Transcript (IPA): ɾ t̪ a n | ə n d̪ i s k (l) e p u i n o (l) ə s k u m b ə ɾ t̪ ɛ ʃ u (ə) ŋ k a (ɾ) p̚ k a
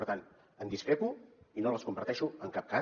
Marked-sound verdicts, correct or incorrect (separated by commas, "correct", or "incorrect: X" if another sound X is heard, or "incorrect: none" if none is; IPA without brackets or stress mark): incorrect: ɾ, correct, correct, incorrect: none